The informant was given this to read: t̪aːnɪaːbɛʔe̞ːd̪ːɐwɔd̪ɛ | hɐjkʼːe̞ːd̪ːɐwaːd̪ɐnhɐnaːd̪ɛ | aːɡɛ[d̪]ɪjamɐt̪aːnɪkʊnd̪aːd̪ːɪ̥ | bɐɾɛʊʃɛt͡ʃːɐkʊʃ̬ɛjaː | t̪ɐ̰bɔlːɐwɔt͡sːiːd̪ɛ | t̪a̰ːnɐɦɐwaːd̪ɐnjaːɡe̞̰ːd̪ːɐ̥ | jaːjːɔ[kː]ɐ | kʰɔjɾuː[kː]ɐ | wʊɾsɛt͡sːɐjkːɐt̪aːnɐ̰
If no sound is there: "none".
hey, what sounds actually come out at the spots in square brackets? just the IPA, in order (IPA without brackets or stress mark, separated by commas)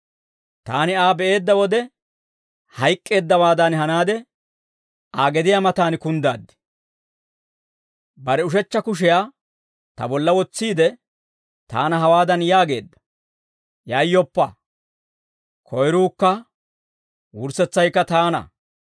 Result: d̪, pː, kː